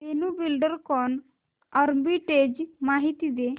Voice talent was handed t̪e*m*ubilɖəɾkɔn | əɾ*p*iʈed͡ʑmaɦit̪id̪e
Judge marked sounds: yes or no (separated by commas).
no, no